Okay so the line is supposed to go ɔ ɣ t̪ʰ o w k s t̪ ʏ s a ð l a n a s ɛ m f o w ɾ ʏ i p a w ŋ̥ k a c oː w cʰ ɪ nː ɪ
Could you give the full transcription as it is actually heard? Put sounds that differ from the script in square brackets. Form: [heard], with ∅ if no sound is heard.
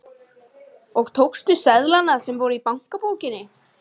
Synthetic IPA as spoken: ɔ ɣ t̪ʰ o w k s t̪ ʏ s [ɛ] ð l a n a s ɛ m [v] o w ɾ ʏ i p a w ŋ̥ k a [p] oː w [c] ɪ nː ɪ